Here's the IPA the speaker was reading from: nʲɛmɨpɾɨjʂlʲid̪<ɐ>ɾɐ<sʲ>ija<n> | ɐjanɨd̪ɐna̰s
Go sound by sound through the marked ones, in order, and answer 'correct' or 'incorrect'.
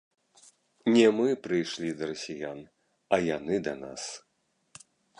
correct, correct, correct

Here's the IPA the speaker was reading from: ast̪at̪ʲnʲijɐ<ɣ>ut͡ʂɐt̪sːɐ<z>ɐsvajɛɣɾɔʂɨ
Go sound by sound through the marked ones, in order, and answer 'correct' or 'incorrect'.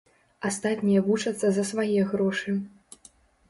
incorrect: v, correct

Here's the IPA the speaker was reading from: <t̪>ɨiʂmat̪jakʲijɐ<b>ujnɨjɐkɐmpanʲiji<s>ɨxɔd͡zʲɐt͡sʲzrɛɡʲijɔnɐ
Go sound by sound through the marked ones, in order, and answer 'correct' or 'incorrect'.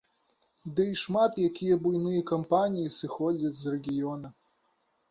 incorrect: d̪, correct, correct

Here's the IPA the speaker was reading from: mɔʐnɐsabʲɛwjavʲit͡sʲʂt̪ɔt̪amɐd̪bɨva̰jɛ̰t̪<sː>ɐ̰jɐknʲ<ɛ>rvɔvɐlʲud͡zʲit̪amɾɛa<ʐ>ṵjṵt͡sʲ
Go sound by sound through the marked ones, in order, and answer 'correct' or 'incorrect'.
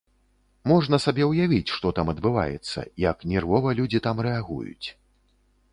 correct, correct, incorrect: ɣ

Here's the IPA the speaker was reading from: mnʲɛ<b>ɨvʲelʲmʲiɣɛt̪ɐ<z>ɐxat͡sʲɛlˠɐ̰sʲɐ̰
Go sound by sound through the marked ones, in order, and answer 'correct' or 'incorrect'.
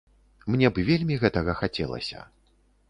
correct, incorrect: ɣ

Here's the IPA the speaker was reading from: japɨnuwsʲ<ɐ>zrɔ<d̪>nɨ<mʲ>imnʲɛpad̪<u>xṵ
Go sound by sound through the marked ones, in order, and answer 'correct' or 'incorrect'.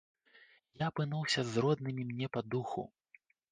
correct, correct, correct, correct

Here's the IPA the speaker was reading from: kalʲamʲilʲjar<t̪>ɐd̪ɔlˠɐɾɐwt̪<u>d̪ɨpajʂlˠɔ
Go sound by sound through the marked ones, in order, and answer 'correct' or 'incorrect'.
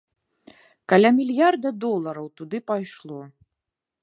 incorrect: d̪, correct

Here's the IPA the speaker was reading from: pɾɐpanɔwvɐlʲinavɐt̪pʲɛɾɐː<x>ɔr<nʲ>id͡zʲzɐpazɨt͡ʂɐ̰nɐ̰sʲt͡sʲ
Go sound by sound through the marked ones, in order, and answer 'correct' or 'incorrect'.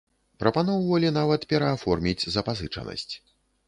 incorrect: f, incorrect: mʲ

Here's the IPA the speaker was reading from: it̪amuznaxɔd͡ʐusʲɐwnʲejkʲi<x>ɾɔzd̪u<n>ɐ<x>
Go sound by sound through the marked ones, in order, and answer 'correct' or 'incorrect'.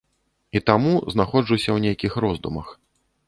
correct, incorrect: m, correct

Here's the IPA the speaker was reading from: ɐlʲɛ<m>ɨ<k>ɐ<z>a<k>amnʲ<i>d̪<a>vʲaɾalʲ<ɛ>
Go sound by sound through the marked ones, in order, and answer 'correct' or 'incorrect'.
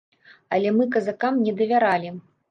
correct, correct, correct, correct, incorrect: ɛ, incorrect: ɐ, incorrect: i

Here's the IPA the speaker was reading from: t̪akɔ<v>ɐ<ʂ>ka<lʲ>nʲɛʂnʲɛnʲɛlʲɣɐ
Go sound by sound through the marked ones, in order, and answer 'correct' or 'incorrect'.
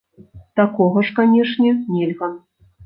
incorrect: ɣ, correct, incorrect: none

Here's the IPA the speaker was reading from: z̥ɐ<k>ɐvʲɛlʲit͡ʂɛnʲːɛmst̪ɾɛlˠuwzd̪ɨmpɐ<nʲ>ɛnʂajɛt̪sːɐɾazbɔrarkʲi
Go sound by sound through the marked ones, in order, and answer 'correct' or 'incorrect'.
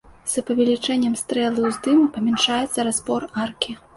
incorrect: p, incorrect: mʲ

